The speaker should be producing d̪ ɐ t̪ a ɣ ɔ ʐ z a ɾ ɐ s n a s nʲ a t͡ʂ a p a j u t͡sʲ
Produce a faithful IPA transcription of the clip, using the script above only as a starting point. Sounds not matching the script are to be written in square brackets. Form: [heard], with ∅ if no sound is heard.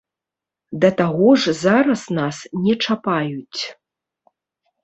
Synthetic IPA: d̪ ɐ t̪ a ɣ ɔ ʐ z a ɾ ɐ s n a s nʲ [ɛ] t͡ʂ a p a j u t͡sʲ